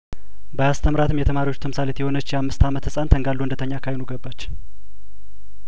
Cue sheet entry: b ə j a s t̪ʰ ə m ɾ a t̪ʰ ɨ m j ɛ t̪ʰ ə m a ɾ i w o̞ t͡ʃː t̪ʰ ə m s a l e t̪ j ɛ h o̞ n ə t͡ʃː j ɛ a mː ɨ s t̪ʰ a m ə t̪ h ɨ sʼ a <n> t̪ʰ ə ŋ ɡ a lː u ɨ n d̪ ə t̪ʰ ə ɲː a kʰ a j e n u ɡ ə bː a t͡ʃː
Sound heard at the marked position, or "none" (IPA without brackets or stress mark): n